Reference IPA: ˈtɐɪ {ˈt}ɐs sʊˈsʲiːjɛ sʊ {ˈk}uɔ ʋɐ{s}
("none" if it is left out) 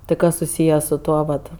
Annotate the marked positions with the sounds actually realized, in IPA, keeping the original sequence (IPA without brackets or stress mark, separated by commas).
k, t, t